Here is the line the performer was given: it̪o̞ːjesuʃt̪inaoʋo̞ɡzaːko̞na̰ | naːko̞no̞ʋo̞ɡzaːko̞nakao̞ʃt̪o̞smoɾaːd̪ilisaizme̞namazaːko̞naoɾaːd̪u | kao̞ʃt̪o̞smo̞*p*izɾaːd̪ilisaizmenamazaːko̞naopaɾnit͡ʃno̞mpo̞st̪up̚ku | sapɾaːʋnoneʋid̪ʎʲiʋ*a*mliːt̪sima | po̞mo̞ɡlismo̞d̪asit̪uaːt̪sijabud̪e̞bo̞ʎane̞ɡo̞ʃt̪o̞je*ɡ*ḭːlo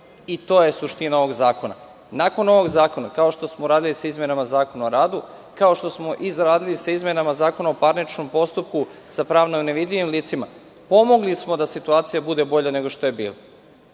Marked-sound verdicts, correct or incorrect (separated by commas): incorrect, incorrect, incorrect